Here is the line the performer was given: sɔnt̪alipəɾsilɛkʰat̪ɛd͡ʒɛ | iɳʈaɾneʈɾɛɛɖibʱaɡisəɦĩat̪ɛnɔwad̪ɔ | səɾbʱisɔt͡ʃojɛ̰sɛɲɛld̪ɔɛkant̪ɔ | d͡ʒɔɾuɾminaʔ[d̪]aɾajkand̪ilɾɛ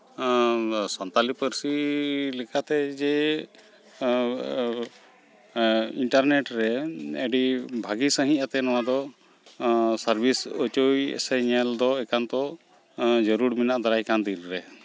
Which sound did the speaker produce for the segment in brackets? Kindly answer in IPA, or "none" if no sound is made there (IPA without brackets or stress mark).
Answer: d̪